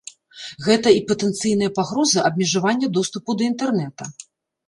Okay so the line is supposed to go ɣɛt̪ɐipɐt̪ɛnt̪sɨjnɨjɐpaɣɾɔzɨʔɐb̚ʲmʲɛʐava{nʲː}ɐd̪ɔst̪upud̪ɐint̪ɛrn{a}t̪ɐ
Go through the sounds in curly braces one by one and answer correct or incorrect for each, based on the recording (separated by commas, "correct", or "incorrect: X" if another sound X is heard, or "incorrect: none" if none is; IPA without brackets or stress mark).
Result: correct, incorrect: ɛ